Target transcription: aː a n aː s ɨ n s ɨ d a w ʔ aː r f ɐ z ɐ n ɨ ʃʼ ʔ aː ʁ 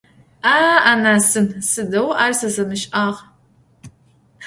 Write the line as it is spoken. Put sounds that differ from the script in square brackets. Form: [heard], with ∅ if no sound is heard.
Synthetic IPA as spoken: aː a n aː s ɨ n s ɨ d [ɐ] w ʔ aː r [s] ɐ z ɐ [m] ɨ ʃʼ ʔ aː ʁ